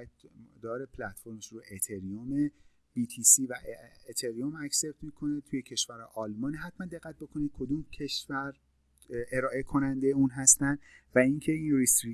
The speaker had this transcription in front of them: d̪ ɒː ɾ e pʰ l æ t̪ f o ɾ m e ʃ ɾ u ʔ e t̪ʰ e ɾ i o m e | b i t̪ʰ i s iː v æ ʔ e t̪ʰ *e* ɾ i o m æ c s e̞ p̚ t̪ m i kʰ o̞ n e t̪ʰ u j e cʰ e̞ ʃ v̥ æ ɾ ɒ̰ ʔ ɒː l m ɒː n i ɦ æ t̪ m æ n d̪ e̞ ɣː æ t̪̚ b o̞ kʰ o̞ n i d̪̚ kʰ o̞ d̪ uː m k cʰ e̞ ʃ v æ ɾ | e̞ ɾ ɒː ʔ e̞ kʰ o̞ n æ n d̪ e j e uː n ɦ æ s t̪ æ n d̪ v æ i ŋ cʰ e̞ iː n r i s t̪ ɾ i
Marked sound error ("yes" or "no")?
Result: no